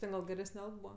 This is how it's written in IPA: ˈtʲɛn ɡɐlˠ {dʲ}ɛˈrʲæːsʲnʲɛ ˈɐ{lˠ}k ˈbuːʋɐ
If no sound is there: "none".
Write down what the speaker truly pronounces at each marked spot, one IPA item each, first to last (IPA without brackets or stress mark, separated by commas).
ɡʲ, lˠ